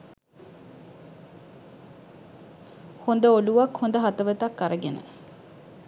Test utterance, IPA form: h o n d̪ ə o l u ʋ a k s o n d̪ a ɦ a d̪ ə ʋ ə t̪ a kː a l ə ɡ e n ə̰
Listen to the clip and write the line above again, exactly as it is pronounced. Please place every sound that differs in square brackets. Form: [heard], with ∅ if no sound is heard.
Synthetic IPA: h o n d̪ ə o l u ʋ a k [h] o n d̪ [ə] ɦ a [t̪] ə ʋ ə t̪ a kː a [ɾ] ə ɡ e n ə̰